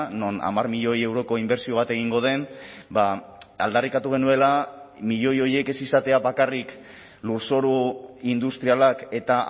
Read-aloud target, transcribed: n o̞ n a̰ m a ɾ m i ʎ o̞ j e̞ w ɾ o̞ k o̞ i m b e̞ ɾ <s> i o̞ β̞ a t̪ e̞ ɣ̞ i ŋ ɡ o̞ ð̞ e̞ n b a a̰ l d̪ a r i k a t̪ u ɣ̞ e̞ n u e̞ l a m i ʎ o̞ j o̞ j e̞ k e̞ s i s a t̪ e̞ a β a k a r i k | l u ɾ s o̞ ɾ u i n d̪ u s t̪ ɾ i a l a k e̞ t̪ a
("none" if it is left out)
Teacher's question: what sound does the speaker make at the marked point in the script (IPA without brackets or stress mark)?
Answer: s